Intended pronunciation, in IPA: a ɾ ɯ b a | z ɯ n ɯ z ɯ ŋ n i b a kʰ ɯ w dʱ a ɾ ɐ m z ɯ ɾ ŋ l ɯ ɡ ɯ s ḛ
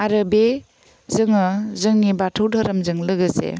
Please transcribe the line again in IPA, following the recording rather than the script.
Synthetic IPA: a ɾ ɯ b e | z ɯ ŋ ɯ z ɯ ŋ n i b a tʰ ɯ w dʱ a ɾ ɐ m z ɯ ŋ l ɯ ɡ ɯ s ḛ